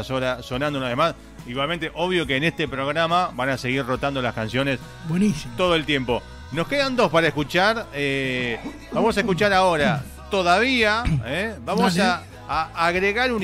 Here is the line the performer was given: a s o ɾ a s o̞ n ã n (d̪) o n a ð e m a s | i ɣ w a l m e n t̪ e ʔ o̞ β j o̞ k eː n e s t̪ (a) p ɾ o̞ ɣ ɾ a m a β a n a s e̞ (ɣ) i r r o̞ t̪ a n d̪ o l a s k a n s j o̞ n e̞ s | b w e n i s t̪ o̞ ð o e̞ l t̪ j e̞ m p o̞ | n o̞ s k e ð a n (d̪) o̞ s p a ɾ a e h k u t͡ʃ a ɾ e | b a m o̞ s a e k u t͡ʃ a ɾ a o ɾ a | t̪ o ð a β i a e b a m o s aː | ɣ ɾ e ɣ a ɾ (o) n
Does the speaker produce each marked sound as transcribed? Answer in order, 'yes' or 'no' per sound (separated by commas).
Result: yes, no, yes, yes, no